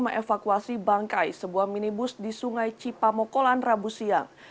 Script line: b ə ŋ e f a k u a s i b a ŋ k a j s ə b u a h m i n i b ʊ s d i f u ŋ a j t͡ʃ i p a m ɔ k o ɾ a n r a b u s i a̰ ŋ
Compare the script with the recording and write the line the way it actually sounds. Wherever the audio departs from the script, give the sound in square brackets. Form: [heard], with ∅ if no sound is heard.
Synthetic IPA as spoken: [m] ə ŋ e f a k u a s i b a ŋ k a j s ə b u a h m i n i b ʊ s d i [s] u ŋ a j t͡ʃ i p a m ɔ k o [l] a n r a b u s i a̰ ŋ